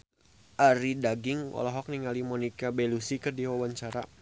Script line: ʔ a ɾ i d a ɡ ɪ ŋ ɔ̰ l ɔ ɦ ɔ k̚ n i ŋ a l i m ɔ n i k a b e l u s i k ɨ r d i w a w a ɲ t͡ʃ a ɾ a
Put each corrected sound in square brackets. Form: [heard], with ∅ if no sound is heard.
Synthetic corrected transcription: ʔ a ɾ i d a ɡ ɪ ŋ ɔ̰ l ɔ ɦ ɔ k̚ n i ŋ a l i m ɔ n i k a b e l u s i k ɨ r d i w a w a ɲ t͡ʃ a ɾ a

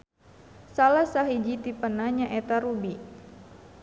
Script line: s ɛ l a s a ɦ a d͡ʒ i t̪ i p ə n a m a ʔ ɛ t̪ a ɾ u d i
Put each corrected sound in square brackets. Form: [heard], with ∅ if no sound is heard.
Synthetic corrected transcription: s [a] l a s a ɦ [i] d͡ʒ i t̪ i p ə n a [ɲ] a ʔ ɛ t̪ a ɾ u [b] i

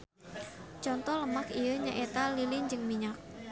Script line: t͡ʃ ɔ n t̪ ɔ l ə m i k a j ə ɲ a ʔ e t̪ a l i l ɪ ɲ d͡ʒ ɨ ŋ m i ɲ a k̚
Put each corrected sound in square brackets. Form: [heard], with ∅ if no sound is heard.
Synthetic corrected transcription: t͡ʃ ɔ n t̪ ɔ l ə m [a] k [i] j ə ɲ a ʔ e t̪ a l i l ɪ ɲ d͡ʒ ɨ ŋ m i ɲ a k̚

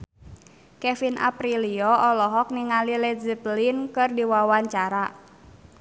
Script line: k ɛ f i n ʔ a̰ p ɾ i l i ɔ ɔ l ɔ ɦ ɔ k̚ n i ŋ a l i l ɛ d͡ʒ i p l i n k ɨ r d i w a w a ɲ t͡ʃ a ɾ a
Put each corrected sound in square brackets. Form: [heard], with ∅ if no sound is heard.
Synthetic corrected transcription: k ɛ f i n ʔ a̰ p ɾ i l i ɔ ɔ l ɔ ɦ ɔ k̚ n i ŋ a l i l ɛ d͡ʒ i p l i n k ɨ r d i w a w a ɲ t͡ʃ a ɾ a

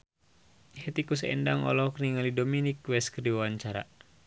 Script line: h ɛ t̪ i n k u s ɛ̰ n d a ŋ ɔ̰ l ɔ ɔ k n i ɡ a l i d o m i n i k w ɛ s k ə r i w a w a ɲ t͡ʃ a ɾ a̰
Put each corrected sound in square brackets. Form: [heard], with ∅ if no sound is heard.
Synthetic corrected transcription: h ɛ t̪ i [∅] k u s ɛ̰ n d a ŋ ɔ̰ l ɔ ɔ k n i [ŋ] a l i d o m i n i k w ɛ s k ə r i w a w a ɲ t͡ʃ a ɾ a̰

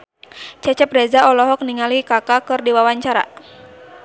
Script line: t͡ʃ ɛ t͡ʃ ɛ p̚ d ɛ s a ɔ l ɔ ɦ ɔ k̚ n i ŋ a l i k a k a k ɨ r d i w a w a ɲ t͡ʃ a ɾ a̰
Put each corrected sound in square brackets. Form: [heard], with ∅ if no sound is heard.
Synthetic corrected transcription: t͡ʃ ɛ t͡ʃ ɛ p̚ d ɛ [z] a ɔ l ɔ ɦ ɔ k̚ n i ŋ a l i k a k a k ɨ r d i w a w a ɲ t͡ʃ a ɾ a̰

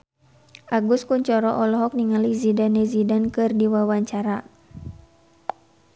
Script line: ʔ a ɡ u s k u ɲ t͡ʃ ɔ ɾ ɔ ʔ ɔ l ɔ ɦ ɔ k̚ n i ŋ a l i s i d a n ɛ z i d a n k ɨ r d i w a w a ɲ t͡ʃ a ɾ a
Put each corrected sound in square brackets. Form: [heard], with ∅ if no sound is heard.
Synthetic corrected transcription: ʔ a ɡ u s k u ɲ t͡ʃ ɔ ɾ ɔ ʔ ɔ l ɔ ɦ ɔ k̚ n i ŋ a l i [z] i d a n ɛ z i d a n k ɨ r d i w a w a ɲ t͡ʃ a ɾ a

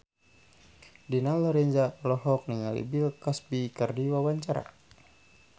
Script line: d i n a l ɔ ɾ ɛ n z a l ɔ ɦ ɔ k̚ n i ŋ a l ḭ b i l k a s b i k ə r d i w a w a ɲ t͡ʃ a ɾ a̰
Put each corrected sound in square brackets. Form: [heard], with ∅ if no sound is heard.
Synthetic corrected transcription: d i n a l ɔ ɾ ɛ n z a l ɔ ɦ ɔ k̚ n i ŋ a l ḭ b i l k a s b i k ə r d i w a w a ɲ t͡ʃ a ɾ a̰

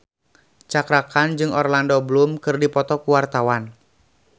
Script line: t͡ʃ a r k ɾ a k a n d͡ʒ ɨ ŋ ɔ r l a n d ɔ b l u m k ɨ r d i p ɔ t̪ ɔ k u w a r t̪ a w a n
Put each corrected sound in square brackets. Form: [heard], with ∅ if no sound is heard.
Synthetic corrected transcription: t͡ʃ a [∅] k ɾ a k a n d͡ʒ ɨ ŋ ɔ r l a n d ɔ b l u m k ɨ r d i p ɔ t̪ ɔ k u w a r t̪ a w a n

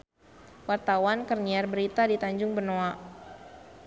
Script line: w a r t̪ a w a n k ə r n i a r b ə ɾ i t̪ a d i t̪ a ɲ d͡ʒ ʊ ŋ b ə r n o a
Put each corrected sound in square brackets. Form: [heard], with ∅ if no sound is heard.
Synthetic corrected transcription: w a r t̪ a w a n k ə r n i a r b ə ɾ i t̪ a d i t̪ a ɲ d͡ʒ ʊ ŋ b ə r n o a

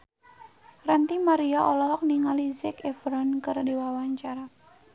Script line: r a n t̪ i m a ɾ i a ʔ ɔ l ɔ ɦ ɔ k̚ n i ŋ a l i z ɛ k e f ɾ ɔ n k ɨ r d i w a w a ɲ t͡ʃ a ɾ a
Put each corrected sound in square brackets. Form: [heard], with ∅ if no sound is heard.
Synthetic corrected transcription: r a n t̪ i m a ɾ i a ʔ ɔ l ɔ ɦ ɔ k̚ n i ŋ a l i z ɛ k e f ɾ ɔ n k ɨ r d i w a w a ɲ t͡ʃ a ɾ a

